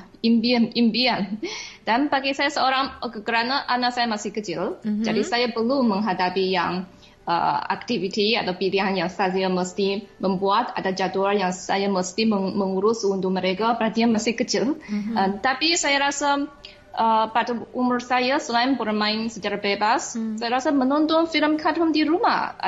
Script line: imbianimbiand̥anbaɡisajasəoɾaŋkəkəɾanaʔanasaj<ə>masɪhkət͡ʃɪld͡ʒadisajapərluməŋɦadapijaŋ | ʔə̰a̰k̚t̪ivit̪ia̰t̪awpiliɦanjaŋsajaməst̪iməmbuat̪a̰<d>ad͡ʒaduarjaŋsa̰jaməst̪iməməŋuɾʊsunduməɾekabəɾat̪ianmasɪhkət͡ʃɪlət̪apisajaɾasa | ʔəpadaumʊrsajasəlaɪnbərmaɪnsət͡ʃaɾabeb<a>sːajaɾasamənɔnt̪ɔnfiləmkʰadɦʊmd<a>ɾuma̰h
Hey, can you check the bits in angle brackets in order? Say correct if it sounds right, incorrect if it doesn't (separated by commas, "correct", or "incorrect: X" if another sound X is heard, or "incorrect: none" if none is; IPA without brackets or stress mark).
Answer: incorrect: a, correct, correct, incorrect: i